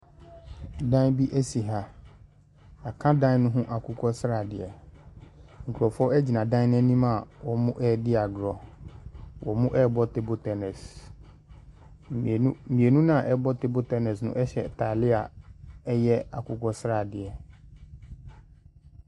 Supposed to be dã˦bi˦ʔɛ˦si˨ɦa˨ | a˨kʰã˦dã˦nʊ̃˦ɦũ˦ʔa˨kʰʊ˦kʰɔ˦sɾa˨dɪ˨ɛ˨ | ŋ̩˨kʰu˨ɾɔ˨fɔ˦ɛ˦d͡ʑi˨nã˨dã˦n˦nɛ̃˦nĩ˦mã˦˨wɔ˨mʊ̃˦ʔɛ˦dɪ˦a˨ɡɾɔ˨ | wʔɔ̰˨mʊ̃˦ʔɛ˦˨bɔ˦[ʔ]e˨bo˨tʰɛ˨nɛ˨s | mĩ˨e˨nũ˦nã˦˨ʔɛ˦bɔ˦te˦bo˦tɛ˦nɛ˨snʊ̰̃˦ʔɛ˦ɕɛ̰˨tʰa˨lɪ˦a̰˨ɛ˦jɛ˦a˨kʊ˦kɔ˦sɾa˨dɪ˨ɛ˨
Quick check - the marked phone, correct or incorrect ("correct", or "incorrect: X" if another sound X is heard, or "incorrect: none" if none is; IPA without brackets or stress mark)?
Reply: incorrect: t